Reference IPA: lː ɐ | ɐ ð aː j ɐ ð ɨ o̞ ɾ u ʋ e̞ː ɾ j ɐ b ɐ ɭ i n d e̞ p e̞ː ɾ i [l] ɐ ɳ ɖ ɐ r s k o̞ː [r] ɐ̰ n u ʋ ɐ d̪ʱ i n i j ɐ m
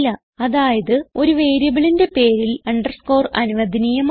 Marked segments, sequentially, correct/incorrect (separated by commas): correct, correct